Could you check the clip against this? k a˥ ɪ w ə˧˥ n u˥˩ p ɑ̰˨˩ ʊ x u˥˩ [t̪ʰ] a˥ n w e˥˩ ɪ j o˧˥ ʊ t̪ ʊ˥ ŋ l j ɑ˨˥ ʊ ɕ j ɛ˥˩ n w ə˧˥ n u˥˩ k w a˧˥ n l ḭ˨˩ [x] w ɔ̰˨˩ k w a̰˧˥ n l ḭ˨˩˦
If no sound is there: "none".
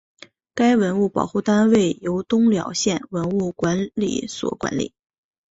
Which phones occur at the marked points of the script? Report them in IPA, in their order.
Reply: t̪, s

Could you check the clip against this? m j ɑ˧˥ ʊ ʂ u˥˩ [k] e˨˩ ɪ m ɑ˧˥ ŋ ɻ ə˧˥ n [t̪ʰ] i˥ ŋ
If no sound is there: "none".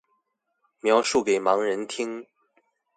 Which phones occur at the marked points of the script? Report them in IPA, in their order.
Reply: k, t̪ʰ

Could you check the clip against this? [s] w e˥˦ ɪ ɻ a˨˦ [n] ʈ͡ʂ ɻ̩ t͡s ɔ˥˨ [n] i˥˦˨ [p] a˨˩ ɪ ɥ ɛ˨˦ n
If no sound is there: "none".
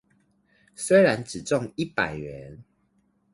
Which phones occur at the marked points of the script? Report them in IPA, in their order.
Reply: s, n, ŋ, p

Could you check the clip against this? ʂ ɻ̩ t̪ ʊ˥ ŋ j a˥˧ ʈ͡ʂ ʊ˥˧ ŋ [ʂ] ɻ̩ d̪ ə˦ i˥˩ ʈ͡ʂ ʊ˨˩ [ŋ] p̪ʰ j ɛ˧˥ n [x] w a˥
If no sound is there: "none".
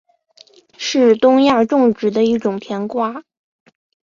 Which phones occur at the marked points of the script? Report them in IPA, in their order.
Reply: ʈ͡ʂ, ŋ, k

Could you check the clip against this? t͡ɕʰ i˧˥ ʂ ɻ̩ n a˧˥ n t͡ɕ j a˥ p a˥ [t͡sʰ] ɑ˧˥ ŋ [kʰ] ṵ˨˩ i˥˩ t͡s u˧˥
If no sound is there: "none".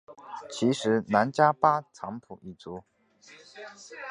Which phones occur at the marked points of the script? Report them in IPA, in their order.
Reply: t͡sʰ, pʰ

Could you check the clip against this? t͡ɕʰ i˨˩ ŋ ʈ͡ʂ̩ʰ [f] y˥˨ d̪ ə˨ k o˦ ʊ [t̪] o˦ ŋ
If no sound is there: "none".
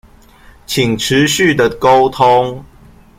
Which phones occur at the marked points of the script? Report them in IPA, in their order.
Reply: ɕ, t̪ʰ

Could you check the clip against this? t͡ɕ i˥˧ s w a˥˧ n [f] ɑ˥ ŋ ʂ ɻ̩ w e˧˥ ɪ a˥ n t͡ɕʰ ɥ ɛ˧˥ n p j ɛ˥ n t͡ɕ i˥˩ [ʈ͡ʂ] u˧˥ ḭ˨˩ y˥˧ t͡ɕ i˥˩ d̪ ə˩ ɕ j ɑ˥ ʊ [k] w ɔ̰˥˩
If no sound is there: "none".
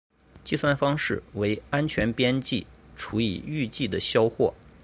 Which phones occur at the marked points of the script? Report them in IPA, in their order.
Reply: f, ʈ͡ʂʰ, x

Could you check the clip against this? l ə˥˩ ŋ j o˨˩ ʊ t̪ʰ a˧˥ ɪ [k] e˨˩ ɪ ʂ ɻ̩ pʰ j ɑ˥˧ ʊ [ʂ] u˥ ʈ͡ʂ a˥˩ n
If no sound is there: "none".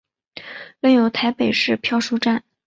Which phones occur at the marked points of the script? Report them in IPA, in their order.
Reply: p, ʂ

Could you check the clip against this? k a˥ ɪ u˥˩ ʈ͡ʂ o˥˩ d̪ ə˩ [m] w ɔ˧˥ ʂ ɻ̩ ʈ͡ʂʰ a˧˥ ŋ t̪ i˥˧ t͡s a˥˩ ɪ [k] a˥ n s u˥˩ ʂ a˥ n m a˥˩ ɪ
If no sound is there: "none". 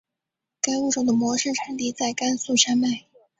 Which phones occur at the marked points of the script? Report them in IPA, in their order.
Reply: m, k

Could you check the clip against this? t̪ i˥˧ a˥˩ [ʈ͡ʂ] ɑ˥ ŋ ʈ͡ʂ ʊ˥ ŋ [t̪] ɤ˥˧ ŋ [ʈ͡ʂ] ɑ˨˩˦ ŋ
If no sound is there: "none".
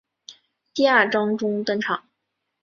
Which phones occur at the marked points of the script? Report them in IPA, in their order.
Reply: ʈ͡ʂ, t̪, ʈ͡ʂʰ

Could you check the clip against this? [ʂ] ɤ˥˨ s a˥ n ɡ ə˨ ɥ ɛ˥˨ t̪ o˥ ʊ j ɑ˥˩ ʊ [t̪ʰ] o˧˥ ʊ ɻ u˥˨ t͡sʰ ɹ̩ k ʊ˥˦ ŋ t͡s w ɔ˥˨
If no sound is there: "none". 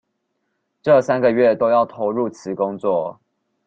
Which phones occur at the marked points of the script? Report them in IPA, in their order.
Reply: ʈ͡ʂ, t̪ʰ

